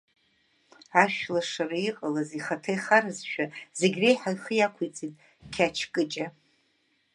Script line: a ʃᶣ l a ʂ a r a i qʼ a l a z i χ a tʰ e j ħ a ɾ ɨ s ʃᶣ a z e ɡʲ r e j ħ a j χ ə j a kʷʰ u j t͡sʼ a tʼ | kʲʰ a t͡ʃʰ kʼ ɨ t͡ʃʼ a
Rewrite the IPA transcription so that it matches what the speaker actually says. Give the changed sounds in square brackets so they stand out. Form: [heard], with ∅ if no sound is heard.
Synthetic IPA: a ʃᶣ l a ʂ a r a i qʼ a l a z i χ a tʰ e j [χ] a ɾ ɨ [z] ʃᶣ a z e ɡʲ r e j ħ a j χ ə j a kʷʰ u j t͡sʼ [i] tʼ | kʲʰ a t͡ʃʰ kʼ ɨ t͡ʃʼ a